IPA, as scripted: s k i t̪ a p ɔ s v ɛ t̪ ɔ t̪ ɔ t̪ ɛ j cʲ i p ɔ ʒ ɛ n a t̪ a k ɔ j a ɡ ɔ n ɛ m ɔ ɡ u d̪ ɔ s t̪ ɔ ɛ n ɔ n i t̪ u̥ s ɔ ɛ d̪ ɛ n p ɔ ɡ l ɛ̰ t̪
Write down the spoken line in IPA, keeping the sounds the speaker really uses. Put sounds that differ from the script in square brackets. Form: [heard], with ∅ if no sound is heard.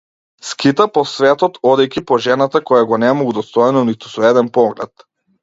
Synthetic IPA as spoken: s k i t̪ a p ɔ s v ɛ t̪ ɔ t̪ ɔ [d̪] ɛ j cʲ i p ɔ ʒ ɛ n a t̪ a k ɔ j a ɡ ɔ n ɛ m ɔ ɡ u d̪ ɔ s t̪ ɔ ɛ n ɔ n i t̪ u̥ s ɔ ɛ d̪ ɛ n p ɔ ɡ l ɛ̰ t̪